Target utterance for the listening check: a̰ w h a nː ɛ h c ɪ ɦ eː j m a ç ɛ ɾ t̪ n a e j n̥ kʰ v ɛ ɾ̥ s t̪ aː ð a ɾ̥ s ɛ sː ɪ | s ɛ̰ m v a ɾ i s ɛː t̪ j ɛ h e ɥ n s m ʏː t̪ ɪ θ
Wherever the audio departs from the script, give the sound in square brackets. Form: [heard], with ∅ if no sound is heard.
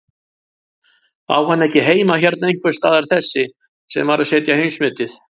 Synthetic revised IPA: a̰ w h a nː ɛ h c ɪ ɦ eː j m a ç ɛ ɾ t̪ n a e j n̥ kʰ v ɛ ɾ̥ s t̪ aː ð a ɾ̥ [θ] ɛ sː ɪ | s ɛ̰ m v a ɾ [a] s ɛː t̪ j [a] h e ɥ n s m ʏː t̪ ɪ θ